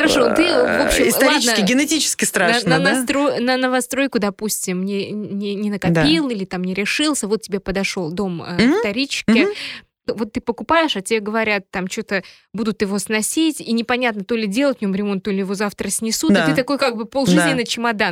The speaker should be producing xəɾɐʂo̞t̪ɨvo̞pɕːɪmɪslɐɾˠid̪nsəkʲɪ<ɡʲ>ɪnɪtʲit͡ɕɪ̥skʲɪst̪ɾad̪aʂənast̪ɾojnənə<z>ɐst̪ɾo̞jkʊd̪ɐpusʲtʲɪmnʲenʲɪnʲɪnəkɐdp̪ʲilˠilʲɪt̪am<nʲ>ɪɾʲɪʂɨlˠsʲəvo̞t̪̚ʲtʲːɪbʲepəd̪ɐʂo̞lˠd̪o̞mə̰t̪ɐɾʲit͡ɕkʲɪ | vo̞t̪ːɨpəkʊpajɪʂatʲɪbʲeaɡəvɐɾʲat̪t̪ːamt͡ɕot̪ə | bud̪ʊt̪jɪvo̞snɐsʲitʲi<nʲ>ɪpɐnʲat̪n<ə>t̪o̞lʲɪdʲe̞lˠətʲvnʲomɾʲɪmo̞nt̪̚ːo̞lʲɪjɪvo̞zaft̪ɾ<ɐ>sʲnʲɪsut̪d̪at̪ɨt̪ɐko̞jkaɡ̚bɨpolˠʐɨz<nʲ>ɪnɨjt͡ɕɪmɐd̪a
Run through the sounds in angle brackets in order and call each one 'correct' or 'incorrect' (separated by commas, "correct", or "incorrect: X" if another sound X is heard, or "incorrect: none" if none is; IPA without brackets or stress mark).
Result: correct, incorrect: v, correct, correct, correct, incorrect: ə, correct